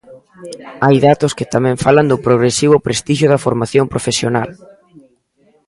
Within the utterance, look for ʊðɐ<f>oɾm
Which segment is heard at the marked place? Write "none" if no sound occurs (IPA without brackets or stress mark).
f